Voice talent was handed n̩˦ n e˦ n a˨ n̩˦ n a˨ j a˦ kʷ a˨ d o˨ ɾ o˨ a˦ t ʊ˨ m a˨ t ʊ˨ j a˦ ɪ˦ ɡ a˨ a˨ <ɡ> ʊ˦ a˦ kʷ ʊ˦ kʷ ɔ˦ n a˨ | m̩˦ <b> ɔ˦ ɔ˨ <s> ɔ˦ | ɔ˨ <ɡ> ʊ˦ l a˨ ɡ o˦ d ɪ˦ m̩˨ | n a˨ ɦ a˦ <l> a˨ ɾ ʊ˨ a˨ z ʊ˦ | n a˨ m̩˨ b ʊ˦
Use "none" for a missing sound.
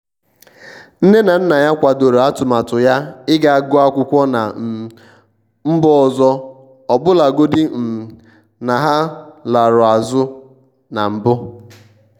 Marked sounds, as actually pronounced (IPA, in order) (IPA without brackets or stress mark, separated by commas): ɡ, b, z, b, l